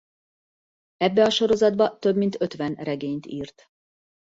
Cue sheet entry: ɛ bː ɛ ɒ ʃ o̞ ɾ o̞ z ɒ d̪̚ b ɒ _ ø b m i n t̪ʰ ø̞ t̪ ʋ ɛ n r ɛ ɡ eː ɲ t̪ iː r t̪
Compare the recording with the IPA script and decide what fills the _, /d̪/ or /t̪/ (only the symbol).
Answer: t̪